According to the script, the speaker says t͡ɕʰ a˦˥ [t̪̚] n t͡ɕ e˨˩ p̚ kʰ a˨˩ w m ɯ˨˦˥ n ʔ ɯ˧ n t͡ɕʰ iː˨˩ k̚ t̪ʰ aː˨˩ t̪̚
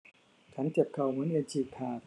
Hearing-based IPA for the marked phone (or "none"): none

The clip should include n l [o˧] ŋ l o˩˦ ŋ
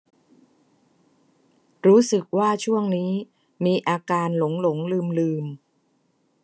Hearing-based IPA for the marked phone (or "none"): o˩˦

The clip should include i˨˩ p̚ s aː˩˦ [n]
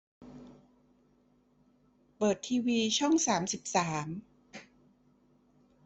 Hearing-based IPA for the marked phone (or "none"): m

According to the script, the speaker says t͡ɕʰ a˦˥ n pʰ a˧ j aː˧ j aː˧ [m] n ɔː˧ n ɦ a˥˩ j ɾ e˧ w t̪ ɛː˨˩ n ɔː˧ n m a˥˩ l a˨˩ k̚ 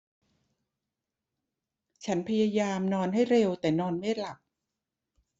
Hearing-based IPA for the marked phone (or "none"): m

